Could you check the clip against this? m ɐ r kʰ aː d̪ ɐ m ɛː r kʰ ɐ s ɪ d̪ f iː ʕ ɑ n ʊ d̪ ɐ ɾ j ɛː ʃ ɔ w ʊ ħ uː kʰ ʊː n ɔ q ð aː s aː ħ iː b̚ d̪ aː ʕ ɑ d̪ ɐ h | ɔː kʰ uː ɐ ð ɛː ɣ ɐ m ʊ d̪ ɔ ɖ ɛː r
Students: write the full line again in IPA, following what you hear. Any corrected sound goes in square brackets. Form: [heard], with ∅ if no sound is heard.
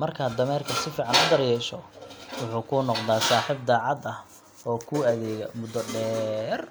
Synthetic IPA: m ɐ r kʰ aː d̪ ɐ m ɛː r kʰ ɐ s ɪ [∅] f iː ʕ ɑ n ʊ d̪ ɐ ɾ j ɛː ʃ ɔ w ʊ ħ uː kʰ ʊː n ɔ q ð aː s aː ħ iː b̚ d̪ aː ʕ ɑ d̪ ɐ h | ɔː kʰ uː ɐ ð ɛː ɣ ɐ m ʊ d̪ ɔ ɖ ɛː r